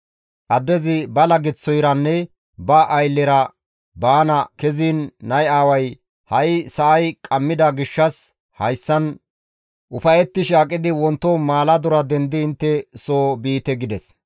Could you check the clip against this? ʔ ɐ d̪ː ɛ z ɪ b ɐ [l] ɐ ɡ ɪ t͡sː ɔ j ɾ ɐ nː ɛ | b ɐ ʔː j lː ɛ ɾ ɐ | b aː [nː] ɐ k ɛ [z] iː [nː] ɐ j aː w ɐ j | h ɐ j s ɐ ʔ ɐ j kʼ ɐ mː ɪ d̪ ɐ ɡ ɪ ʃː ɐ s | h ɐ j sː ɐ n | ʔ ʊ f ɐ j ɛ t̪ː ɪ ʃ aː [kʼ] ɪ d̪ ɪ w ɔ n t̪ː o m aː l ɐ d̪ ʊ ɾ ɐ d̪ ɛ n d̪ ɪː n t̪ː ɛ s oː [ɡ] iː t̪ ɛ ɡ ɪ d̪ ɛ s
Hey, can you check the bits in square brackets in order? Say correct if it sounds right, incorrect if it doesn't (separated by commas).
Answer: correct, incorrect, correct, correct, correct, incorrect